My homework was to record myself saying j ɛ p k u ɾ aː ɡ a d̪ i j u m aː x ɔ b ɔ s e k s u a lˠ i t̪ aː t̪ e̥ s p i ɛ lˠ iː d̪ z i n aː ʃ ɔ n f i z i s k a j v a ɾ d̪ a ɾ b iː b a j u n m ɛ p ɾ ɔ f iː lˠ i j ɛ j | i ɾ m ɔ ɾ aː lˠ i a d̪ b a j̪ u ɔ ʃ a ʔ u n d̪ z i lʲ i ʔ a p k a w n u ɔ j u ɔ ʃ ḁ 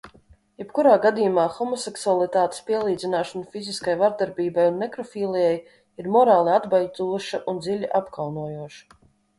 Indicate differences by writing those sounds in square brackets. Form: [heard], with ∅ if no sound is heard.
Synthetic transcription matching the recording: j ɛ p k u ɾ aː ɡ a d̪ i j u m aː x ɔ [m] ɔ s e k s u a lˠ i t̪ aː t̪ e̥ s p i ɛ lˠ iː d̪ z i n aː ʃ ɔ n f i z i s k a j v a ɾ d̪ a ɾ b iː b a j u n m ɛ [k] ɾ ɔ f iː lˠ i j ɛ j | i ɾ m ɔ ɾ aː lˠ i a d̪ b a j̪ u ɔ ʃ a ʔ u n d̪ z i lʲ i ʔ a p k a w n u ɔ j u ɔ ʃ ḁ